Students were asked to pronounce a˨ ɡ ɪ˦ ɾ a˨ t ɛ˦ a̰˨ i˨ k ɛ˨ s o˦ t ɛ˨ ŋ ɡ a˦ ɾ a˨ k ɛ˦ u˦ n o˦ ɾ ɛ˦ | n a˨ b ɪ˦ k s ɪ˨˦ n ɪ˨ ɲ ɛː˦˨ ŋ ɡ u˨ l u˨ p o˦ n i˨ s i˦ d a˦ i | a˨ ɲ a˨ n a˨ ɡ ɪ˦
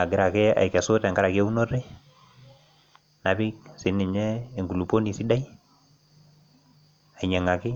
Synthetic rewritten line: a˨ ɡ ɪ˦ ɾ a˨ k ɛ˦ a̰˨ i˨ k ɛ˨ s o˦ t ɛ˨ ŋ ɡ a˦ ɾ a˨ k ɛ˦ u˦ n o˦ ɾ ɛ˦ | n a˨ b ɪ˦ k s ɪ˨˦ n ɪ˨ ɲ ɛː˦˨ ŋ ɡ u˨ l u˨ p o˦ n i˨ s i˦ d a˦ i | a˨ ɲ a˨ ŋ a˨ k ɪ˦